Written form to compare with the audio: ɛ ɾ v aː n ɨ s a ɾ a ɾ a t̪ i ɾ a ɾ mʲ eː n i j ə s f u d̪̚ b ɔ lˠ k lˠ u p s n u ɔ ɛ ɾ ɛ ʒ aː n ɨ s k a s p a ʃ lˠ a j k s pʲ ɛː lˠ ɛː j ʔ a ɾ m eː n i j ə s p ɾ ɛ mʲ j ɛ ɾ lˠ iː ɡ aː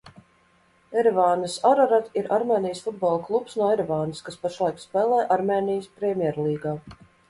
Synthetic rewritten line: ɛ ɾ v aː n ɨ s a ɾ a ɾ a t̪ i ɾ a ɾ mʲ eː n i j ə s f u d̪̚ b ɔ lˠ k lˠ u p s n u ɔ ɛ ɾ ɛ v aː n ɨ s k a s p a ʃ lˠ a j k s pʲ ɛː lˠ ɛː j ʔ a ɾ m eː n i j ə s p ɾ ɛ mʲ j ɛ ɾ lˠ iː ɡ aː